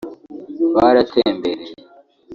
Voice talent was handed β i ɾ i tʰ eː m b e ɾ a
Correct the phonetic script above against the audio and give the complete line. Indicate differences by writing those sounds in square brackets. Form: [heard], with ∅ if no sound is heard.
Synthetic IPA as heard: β [a] ɾ [a] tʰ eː m b e ɾ [e]